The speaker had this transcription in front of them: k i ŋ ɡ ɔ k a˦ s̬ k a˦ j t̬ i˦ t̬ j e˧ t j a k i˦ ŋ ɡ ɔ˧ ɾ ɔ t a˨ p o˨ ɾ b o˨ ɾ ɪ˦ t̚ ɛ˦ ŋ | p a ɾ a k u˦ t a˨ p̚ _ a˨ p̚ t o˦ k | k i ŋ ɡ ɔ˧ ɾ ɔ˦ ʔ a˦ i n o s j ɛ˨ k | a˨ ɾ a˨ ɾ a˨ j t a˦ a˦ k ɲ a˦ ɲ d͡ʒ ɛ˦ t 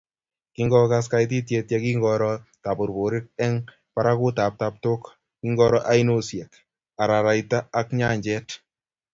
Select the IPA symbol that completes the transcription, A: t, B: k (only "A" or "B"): A